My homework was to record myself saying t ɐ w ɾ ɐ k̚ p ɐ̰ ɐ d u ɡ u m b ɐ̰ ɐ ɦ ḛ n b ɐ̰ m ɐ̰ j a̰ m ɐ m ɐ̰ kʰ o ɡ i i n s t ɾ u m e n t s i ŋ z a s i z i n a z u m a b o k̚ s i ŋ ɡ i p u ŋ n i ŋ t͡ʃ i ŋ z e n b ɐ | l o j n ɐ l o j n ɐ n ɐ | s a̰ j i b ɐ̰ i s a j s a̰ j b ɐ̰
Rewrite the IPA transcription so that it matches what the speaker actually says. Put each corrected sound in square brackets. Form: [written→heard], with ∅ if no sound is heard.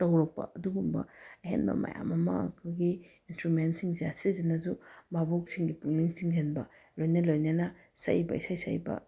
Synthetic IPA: t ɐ w ɾ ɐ k̚ p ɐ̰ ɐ d u ɡ u m b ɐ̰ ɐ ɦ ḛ n b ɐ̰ m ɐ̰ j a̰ m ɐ m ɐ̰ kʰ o ɡ i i n s t ɾ u m e n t s i ŋ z a s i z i n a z u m a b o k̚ s i ŋ ɡ i p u ŋ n i ŋ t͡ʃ i ŋ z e n b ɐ | l o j n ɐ l o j n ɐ n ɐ | s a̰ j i b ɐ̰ i s a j s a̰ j b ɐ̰